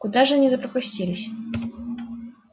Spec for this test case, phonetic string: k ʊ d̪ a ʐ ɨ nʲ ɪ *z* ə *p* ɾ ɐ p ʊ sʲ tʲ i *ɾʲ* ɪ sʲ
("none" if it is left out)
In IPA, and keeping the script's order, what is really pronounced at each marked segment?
z, p, lʲ

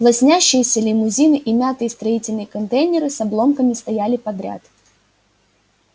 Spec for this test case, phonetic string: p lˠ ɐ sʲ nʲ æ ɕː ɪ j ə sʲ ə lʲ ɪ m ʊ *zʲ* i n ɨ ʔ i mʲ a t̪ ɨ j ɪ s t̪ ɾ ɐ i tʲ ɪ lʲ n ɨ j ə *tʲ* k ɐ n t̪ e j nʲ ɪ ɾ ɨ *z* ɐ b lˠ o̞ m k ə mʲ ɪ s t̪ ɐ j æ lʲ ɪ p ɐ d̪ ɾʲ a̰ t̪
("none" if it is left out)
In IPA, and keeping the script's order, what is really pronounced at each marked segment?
zʲ, none, s

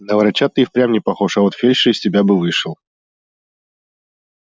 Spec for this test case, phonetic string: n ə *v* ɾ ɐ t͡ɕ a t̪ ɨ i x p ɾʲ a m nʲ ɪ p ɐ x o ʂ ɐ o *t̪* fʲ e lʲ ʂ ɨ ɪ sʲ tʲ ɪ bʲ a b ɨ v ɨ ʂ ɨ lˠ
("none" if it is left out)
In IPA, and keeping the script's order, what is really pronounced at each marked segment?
v, t̪

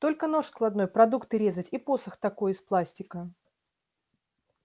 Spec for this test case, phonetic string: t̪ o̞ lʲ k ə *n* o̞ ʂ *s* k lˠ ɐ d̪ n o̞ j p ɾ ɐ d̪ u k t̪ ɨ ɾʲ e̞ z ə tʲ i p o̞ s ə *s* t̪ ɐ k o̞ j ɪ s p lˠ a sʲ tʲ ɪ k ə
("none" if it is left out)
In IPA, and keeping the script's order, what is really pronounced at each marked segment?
n, s, x

